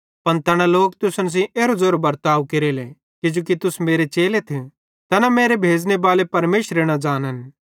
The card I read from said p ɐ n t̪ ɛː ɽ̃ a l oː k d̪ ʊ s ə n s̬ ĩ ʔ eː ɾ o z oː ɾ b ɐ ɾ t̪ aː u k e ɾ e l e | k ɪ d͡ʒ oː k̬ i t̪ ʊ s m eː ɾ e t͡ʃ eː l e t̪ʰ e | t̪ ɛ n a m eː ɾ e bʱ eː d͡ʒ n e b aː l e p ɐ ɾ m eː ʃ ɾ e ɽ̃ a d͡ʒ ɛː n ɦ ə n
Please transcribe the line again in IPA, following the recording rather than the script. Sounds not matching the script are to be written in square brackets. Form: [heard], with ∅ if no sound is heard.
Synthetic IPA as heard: p ɐ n t̪ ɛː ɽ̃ a l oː k [t̪] ʊ s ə n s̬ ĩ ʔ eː ɾ o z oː ɾ b ɐ ɾ t̪ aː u k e ɾ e l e | k ɪ d͡ʒ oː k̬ i t̪ ʊ s m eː ɾ e t͡ʃ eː l e t̪ʰ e | t̪ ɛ n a m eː ɾ e bʱ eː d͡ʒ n e b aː l e p ɐ ɾ m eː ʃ ɾ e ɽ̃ a d͡ʒ [aː] n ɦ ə n